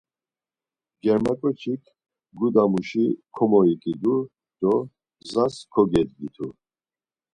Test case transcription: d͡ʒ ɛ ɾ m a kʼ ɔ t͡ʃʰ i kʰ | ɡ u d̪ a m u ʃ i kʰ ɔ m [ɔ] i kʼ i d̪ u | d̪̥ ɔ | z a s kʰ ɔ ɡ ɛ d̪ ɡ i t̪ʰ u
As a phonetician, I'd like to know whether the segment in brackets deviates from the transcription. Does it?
no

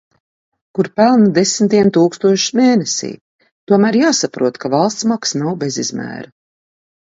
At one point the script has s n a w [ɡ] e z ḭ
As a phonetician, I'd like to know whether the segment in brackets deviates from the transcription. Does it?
yes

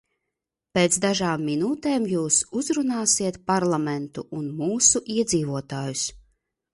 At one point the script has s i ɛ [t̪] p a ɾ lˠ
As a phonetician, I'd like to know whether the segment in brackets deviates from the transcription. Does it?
no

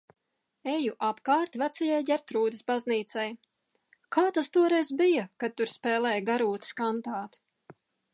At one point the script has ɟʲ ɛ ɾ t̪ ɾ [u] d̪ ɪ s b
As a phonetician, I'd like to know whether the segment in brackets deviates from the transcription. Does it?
yes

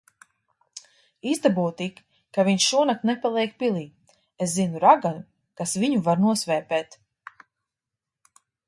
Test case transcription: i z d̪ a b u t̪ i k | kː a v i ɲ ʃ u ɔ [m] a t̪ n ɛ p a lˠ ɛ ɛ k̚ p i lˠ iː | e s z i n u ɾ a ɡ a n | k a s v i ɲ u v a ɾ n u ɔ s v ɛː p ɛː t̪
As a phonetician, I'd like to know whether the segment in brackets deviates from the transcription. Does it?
yes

